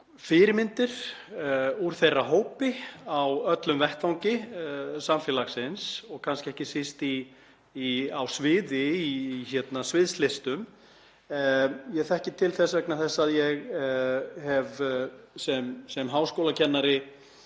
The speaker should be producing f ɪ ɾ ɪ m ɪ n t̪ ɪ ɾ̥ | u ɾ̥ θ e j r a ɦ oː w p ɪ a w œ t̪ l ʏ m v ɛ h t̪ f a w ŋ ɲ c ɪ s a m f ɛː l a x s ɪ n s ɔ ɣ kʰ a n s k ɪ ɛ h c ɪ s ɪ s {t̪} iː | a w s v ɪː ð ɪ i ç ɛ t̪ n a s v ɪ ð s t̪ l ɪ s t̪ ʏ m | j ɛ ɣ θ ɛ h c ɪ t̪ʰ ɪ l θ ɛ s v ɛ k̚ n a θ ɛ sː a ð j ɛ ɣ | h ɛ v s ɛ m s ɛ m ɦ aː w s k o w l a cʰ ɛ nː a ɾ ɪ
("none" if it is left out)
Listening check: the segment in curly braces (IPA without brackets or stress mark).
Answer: t̪